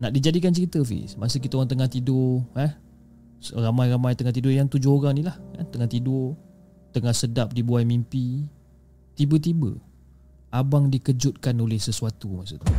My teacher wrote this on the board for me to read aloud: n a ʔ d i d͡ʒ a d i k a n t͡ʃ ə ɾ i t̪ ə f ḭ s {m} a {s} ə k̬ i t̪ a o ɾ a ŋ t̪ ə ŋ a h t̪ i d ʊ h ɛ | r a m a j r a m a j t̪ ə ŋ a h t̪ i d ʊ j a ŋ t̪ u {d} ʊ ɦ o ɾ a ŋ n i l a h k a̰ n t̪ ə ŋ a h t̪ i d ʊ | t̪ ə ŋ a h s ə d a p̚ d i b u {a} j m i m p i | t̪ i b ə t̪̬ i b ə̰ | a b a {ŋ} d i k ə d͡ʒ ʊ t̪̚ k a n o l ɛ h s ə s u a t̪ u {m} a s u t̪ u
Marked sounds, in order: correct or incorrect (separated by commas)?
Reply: correct, correct, incorrect, correct, correct, correct